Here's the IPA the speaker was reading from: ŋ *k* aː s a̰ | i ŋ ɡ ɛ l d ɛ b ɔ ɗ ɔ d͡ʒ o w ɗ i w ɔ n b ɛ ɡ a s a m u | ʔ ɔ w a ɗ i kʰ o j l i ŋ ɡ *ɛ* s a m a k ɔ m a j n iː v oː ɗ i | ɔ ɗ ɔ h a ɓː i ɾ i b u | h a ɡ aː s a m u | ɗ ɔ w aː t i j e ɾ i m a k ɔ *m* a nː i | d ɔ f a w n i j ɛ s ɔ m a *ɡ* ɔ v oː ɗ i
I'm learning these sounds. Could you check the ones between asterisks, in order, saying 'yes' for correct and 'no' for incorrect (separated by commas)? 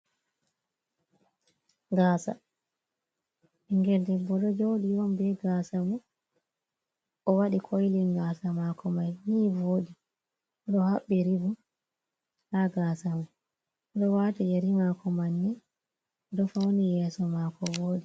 no, no, yes, no